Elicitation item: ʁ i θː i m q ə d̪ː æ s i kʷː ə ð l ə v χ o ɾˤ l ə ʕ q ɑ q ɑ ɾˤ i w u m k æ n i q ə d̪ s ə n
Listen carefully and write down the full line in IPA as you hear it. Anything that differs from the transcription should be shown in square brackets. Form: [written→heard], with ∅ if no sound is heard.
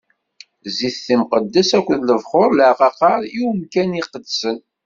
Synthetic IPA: [ʁ→z] i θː i m q ə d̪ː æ s [i→æ] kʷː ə ð l ə v χ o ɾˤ l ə ʕ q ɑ q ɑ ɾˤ i w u m k æ n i q ə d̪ s ə n